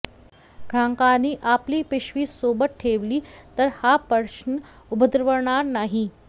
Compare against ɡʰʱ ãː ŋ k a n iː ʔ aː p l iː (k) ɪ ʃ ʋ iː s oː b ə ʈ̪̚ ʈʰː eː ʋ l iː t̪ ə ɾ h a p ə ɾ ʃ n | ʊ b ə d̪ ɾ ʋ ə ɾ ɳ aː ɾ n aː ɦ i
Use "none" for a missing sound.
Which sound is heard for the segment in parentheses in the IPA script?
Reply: p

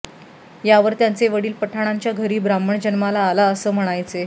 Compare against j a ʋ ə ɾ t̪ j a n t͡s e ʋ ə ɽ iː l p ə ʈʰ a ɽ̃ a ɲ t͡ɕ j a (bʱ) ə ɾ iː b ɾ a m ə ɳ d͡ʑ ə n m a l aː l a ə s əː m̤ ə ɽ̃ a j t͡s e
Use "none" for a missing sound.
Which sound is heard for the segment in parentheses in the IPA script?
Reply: ɡʱ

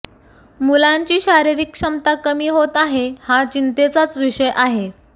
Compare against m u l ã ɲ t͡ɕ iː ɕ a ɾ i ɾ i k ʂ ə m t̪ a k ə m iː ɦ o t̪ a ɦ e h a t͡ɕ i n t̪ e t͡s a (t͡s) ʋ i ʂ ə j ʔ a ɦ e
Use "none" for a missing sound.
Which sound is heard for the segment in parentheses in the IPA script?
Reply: t͡s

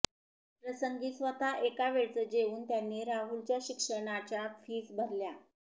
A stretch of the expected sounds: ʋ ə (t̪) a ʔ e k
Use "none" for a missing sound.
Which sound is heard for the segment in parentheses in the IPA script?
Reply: t̪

